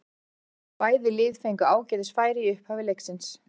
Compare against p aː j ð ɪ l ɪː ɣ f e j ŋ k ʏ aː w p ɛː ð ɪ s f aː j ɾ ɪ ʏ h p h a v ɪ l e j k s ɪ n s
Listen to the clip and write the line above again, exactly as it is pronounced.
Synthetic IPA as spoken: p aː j ð ɪ l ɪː ð f e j ŋ k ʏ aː w c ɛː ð ɪ s f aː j ɾ ɪ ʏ h p h a v ɪ l e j k s ɪ n s